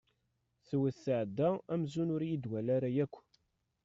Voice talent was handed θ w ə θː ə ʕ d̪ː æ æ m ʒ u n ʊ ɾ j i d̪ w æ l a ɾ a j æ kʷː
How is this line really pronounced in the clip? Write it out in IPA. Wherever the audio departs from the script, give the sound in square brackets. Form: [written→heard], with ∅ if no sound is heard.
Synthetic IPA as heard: θ w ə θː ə ʕ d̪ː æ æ m [ʒ→z] u n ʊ ɾ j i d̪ w æ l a ɾ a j æ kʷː